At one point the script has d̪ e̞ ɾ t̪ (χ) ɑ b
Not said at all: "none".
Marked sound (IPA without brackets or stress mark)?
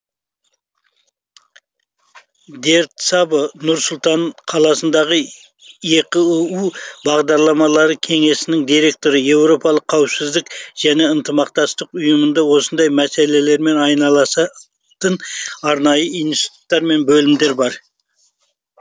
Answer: s